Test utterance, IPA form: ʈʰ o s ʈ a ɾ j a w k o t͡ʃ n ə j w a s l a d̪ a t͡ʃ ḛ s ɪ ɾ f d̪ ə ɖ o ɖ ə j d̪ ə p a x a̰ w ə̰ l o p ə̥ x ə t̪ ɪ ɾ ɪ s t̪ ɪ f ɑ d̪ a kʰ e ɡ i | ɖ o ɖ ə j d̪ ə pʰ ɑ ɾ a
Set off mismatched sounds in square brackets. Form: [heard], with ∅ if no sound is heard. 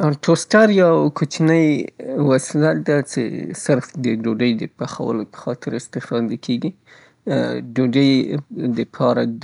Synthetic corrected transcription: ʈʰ o s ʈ a ɾ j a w k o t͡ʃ n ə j w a s l a d̪ a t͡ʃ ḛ s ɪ ɾ f d̪ ə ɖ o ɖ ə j d̪ ə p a x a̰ w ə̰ l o p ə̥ x [ɑ] t̪ ɪ ɾ ɪ s t̪ ɪ f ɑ d̪ a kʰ e ɡ i | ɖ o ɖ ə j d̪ ə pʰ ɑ ɾ a